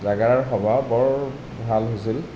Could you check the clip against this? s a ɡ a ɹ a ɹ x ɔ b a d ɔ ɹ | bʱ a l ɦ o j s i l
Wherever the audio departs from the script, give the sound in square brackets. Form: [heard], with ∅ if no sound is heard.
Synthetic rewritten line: [z] a ɡ a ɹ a ɹ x ɔ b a [b] ɔ ɹ | bʱ a l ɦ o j s i l